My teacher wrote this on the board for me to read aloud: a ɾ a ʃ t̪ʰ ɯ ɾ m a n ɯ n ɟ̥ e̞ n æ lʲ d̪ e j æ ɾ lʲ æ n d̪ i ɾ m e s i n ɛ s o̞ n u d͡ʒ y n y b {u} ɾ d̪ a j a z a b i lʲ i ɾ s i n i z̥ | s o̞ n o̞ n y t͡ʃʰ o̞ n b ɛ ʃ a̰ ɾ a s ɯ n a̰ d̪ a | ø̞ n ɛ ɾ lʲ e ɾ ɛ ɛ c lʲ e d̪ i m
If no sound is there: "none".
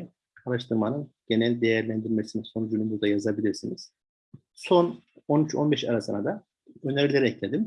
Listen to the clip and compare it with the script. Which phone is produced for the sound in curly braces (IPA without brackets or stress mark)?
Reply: u